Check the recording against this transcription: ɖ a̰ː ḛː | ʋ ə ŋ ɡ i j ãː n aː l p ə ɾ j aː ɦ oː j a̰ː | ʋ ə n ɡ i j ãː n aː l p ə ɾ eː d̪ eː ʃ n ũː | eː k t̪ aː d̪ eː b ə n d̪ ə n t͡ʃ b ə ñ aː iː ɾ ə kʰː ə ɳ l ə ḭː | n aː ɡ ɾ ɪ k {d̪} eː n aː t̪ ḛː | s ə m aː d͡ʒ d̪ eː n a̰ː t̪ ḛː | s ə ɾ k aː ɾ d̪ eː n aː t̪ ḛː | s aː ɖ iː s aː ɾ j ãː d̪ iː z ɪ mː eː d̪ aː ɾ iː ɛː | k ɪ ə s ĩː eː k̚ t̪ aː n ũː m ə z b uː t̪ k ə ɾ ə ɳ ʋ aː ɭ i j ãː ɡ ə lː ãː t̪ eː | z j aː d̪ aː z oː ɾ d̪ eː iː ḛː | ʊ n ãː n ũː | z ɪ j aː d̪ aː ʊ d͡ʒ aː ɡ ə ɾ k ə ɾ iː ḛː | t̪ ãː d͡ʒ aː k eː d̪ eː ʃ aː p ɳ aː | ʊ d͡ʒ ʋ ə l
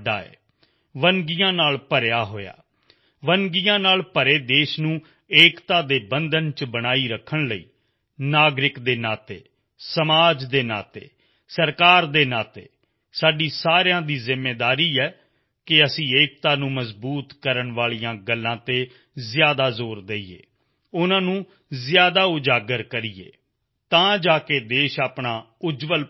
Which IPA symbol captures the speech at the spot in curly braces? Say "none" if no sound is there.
d̪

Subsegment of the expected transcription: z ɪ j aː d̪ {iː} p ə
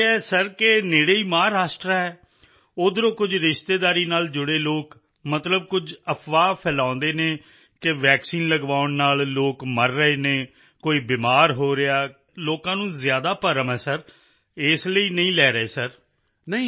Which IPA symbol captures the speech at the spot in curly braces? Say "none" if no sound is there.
aː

